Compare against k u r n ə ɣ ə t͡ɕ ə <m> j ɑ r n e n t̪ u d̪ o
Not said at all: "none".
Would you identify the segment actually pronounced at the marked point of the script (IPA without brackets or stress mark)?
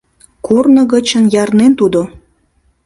n